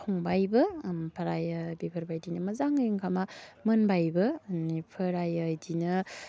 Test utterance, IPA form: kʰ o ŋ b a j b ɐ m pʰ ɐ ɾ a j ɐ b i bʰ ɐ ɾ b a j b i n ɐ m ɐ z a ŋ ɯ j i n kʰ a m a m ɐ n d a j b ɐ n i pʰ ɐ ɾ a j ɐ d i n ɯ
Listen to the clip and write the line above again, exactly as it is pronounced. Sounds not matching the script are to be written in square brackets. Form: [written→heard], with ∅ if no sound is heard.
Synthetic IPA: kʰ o ŋ b a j b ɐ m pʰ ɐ ɾ a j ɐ b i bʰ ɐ ɾ b a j [b→d] i n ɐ m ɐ z a ŋ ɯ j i [n→ŋ] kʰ a m a m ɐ n [d→b] a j b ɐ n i pʰ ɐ ɾ a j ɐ d i n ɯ